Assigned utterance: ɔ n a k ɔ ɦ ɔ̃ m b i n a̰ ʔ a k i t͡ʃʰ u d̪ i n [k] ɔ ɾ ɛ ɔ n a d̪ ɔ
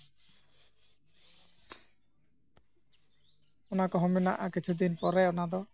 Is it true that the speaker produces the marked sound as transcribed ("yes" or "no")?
no